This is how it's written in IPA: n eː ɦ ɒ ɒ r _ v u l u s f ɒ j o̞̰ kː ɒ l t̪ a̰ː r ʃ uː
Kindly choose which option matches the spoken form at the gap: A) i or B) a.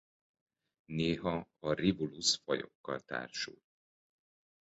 A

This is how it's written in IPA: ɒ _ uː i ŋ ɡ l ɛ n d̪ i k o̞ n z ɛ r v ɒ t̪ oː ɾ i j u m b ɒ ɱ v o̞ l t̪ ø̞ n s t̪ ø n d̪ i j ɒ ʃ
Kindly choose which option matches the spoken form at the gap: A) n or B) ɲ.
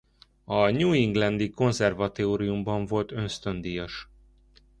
B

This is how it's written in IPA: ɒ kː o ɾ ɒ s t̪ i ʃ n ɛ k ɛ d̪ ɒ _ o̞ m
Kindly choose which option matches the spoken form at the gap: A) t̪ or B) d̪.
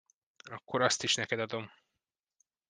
B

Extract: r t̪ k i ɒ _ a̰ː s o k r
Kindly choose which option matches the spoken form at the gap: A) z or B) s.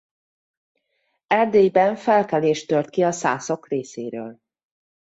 B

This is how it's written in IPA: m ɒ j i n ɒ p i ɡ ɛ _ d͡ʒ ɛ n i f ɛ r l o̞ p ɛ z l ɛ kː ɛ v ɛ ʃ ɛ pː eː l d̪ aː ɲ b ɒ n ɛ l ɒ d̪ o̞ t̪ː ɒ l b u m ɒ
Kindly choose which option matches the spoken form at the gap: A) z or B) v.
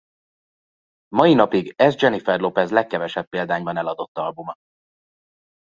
A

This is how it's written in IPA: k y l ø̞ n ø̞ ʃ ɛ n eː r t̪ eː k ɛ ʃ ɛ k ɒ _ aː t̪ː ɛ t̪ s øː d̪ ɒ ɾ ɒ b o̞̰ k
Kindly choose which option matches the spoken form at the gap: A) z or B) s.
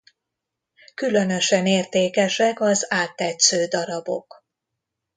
A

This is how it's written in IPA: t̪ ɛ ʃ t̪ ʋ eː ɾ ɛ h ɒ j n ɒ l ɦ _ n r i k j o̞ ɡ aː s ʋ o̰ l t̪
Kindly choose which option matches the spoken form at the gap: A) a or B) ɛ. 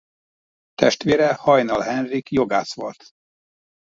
B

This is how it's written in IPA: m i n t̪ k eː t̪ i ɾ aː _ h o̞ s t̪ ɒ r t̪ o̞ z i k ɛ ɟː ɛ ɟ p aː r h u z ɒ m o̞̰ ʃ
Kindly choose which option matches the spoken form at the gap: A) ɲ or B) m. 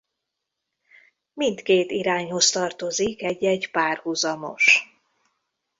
A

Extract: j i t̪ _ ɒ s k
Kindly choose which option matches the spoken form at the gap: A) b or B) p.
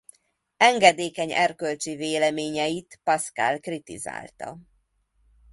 B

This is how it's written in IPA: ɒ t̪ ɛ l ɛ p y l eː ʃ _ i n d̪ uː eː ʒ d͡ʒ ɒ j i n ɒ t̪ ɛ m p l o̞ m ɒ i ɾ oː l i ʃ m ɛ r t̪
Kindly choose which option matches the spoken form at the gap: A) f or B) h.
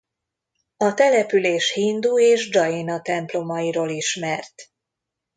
B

